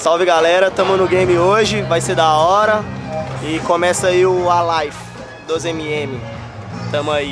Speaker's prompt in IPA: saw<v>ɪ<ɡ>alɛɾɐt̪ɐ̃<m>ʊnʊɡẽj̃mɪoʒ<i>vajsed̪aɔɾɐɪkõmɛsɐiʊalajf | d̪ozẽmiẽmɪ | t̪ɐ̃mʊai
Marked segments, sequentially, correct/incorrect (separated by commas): correct, correct, correct, incorrect